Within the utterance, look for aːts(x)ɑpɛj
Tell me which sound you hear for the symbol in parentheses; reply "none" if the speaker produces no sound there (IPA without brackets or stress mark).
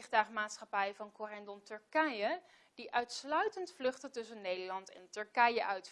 χ